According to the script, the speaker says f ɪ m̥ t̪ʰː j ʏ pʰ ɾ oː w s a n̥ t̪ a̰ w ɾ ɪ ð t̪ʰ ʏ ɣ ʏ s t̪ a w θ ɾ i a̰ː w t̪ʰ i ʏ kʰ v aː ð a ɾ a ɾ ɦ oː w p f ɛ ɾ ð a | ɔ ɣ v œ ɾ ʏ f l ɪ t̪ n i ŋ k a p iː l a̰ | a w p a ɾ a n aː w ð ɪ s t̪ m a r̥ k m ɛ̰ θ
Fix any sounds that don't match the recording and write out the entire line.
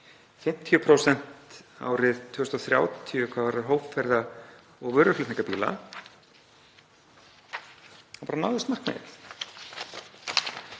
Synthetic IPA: f ɪ m̥ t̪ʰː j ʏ pʰ ɾ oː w s ɛ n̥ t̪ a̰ w ɾ ɪ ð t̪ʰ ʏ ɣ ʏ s t̪ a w θ ɾ j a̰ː w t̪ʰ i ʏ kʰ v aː v a ɾ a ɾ ɦ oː w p f ɛ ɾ ð a | ɔ ɣ v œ ɾ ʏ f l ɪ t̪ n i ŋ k a p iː l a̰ | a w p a ɾ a n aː w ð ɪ s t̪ m a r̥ k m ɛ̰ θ